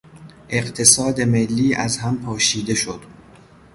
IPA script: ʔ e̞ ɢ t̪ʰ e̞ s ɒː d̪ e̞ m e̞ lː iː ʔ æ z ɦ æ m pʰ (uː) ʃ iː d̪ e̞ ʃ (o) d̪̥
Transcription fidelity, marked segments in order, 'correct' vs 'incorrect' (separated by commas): incorrect, correct